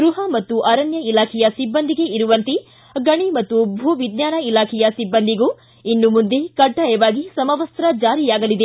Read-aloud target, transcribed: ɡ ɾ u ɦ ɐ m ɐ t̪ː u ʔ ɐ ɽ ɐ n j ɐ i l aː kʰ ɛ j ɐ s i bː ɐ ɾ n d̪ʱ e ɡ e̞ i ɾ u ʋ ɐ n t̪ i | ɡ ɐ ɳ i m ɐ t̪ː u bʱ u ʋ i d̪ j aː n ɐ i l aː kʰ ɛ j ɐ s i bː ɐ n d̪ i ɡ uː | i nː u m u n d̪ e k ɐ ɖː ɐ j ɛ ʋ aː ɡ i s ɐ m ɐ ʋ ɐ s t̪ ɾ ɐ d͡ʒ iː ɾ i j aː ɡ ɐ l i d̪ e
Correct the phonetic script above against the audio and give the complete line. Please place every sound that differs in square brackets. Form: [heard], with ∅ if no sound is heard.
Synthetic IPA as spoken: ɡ ɾ u ɦ ɐ m ɐ t̪ː u ʔ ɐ [ɾ] ɐ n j ɐ i l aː kʰ ɛ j ɐ s i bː ɐ [∅] n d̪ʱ [i] ɡ e̞ i ɾ u ʋ ɐ n t̪ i | ɡ ɐ ɳ i m ɐ t̪ː u bʱ u ʋ i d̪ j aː n ɐ i l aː kʰ ɛ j ɐ s i bː ɐ n d̪ i ɡ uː | i nː u m u n d̪ e k ɐ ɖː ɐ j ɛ ʋ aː ɡ i s ɐ m ɐ ʋ ɐ s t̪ ɾ ɐ d͡ʒ [aː] ɾ i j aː ɡ ɐ l i d̪ e